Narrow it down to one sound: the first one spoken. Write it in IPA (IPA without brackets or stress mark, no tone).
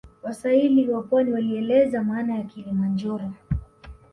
w